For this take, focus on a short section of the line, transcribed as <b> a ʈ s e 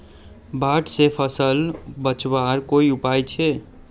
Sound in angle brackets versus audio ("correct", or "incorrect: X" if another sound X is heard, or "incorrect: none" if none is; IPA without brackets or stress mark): correct